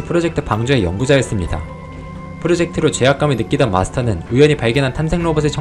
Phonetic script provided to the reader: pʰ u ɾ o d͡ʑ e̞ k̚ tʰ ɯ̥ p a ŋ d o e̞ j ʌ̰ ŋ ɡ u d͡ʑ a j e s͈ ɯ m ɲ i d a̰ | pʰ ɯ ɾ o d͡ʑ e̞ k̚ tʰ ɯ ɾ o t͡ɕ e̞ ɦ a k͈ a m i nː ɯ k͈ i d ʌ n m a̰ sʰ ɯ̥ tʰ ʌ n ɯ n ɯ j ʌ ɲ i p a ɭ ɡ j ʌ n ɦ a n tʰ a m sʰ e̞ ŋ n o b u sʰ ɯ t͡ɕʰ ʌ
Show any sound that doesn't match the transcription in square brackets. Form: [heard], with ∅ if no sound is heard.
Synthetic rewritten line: pʰ [ɯ] ɾ o d͡ʑ e̞ k̚ tʰ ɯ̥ p a ŋ [d͡ʑ] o e̞ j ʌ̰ ŋ ɡ u d͡ʑ a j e s͈ ɯ m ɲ i d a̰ | pʰ ɯ ɾ o d͡ʑ e̞ k̚ tʰ ɯ ɾ o t͡ɕ e̞ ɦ a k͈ a m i [n] ɯ k͈ i d ʌ n m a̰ sʰ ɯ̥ tʰ ʌ n ɯ n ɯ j ʌ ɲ i p a ɭ ɡ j ʌ n ɦ a n tʰ a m sʰ e̞ ŋ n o b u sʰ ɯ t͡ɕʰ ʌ